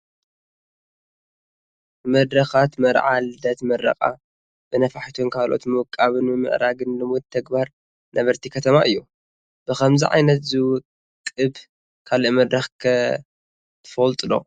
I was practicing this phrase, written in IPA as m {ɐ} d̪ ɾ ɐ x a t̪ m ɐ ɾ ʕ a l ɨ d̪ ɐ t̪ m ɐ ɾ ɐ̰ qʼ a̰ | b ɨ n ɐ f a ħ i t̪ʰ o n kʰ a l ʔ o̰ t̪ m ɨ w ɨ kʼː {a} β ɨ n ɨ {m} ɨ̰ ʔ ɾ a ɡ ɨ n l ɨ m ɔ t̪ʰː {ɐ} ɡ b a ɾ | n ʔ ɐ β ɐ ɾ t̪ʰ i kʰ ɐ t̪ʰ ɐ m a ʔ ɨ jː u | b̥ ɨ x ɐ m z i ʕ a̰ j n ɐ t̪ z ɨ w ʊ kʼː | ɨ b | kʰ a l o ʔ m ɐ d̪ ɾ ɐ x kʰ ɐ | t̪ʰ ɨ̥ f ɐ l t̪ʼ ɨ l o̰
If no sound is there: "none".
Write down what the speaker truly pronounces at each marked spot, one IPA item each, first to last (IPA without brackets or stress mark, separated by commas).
ɐ, a, m, ɐ